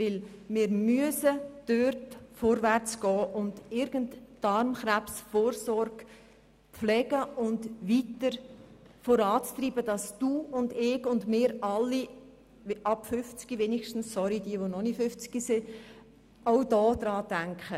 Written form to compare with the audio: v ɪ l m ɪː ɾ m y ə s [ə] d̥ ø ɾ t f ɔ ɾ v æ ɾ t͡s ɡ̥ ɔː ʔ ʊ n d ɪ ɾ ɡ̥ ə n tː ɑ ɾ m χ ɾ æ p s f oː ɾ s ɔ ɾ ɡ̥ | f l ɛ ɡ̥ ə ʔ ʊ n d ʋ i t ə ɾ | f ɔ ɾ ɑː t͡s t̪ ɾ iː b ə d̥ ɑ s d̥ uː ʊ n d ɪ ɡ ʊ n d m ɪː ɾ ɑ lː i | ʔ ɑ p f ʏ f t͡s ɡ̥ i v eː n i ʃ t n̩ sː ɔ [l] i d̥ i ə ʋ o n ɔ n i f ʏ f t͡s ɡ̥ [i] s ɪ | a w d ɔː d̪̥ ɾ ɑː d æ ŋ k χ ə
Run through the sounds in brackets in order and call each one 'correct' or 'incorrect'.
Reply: correct, incorrect: ɾ, correct

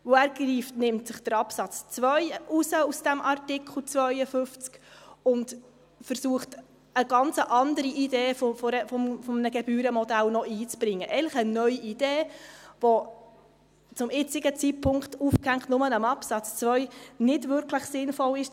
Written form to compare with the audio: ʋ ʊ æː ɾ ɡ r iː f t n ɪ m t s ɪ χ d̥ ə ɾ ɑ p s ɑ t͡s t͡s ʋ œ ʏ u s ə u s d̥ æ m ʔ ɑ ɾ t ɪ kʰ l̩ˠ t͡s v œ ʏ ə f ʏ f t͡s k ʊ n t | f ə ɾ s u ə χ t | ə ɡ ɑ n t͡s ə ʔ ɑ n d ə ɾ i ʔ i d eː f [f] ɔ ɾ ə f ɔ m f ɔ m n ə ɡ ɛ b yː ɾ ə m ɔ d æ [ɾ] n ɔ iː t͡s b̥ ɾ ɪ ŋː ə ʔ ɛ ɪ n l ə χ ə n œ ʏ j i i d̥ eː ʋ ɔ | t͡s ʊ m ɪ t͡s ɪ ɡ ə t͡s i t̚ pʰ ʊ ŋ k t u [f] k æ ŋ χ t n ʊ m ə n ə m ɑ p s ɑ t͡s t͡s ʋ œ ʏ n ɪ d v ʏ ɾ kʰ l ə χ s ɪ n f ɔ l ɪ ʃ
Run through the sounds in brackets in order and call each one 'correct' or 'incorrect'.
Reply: correct, incorrect: l, correct

